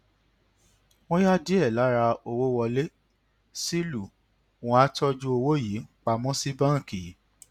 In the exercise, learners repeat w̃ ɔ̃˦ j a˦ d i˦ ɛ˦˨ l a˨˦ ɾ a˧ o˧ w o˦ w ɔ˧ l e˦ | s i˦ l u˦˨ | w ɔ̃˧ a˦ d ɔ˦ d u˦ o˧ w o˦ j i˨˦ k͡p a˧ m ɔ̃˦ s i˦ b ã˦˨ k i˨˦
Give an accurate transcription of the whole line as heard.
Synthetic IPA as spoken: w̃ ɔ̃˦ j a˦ d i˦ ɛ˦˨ l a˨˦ ɾ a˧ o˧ w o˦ w ɔ˧ l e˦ | s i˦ l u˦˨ | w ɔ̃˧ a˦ t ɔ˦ d͡ʒ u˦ o˧ w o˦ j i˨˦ k͡p a˧ m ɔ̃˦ s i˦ b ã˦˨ k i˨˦